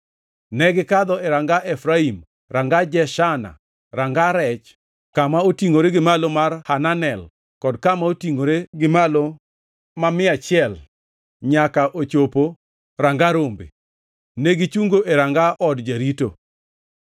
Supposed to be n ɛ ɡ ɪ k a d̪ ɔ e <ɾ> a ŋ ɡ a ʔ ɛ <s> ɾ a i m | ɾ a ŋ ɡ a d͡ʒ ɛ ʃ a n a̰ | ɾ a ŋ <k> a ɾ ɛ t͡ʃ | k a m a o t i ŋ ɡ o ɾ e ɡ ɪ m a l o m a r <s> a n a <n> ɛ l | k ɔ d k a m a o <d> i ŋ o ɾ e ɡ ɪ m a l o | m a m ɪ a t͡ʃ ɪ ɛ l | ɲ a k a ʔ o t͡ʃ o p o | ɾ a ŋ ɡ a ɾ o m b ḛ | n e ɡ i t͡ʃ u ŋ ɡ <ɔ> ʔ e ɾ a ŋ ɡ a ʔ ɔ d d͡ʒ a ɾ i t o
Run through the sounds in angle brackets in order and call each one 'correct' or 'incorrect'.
correct, incorrect: f, incorrect: ɡ, incorrect: h, correct, incorrect: t, incorrect: o

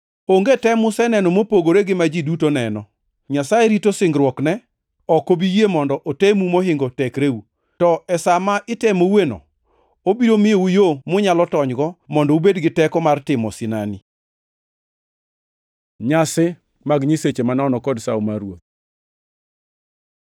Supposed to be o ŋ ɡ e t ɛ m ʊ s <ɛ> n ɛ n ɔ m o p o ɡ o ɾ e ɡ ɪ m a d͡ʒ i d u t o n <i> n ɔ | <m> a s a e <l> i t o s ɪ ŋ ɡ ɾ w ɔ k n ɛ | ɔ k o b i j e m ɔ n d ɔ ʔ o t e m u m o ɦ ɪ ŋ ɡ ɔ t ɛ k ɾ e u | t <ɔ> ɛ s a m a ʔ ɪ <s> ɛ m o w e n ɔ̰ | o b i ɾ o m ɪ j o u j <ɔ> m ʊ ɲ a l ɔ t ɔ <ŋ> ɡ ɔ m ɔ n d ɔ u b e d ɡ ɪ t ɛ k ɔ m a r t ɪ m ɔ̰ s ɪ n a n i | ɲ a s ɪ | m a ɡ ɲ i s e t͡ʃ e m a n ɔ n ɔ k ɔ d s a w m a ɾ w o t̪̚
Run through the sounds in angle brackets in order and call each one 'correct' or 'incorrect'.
correct, incorrect: ɛ, incorrect: ɲ, incorrect: ɾ, correct, incorrect: t, incorrect: o, incorrect: ɲ

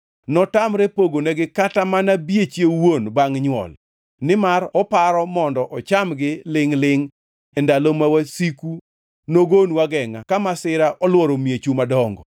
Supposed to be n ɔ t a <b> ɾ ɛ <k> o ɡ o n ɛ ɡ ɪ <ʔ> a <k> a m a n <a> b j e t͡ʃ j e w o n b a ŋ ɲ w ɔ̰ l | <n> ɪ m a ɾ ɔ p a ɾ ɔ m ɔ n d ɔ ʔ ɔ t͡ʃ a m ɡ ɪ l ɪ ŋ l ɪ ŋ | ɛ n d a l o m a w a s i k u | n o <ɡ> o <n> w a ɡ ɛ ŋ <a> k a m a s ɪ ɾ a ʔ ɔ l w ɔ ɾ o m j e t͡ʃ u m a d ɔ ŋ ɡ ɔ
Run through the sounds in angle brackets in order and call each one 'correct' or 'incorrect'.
incorrect: m, incorrect: p, incorrect: k, incorrect: t, correct, correct, correct, correct, correct

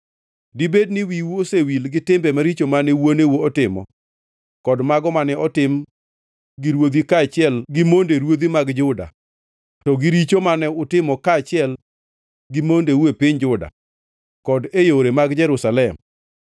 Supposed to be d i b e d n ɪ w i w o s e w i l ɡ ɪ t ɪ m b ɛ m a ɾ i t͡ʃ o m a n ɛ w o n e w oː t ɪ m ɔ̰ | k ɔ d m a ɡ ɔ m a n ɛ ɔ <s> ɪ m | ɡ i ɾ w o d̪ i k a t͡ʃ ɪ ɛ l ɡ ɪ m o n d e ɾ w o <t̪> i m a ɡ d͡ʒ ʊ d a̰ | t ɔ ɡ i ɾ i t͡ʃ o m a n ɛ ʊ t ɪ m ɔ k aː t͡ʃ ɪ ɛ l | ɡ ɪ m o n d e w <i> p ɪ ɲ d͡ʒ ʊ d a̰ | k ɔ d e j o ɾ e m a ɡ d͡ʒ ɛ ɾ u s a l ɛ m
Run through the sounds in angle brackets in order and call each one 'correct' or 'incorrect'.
incorrect: t, incorrect: d̪, incorrect: e

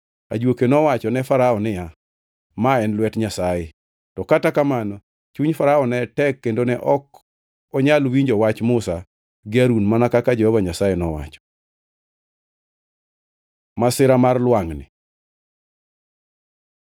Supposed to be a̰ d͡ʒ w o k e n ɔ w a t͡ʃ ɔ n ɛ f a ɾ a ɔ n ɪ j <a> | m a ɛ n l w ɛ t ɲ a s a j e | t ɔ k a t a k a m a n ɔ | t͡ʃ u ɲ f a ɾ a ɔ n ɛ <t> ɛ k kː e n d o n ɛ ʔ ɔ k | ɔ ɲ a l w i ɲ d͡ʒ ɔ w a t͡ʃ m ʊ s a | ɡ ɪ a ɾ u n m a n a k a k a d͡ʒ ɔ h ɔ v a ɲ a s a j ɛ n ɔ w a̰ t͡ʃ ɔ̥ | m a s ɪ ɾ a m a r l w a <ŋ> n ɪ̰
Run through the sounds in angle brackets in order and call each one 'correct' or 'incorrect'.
correct, correct, correct

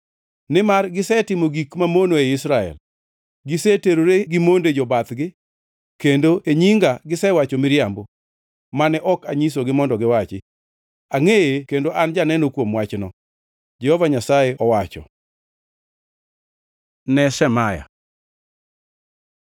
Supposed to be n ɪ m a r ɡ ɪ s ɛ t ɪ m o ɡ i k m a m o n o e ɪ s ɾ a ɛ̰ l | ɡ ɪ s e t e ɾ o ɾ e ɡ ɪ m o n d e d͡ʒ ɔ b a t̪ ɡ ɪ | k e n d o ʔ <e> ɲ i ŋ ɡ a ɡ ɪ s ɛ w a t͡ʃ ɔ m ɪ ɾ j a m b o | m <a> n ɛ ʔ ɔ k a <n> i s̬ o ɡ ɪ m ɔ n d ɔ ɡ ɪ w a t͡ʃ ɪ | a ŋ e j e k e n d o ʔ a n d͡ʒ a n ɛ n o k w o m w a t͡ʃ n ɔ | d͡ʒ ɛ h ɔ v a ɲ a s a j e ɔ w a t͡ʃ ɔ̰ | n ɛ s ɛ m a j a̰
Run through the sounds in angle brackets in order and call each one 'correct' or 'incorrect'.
correct, correct, incorrect: ɲ

